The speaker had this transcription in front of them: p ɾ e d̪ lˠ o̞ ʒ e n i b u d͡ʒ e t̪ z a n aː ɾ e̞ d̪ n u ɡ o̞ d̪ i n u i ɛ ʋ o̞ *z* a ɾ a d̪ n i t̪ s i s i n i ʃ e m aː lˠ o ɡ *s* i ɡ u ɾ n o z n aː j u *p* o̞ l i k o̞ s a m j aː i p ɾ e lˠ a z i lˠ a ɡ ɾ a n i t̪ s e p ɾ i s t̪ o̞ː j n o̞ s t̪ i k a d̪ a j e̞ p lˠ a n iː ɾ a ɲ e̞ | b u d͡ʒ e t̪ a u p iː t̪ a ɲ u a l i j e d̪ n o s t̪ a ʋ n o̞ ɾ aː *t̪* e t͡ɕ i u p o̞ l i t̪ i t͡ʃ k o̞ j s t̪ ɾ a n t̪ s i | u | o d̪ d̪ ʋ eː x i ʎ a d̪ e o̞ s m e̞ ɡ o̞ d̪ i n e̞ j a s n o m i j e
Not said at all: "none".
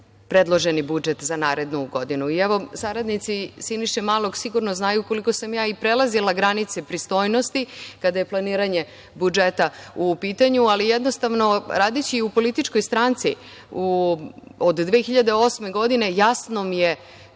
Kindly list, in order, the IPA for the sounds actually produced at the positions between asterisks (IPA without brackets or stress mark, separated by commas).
s, s, k, d̪